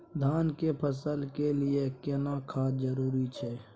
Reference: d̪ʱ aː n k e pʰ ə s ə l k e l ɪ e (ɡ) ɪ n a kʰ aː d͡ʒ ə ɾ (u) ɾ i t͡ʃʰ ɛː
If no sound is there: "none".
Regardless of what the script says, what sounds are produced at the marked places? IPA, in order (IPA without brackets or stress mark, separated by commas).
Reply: k, uː